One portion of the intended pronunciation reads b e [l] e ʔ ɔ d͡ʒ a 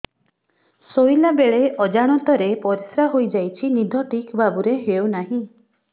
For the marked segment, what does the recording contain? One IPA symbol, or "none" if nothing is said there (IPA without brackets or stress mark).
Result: ɭ